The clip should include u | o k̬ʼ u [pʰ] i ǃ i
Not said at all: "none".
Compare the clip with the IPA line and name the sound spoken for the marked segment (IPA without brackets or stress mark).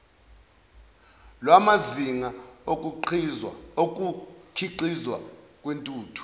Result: kʰ